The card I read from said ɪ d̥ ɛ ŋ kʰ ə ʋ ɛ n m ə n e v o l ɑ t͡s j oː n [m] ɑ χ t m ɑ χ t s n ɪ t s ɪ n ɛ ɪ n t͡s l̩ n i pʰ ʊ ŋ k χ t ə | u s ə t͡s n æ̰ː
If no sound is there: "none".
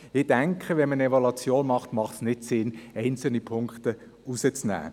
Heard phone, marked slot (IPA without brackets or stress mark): m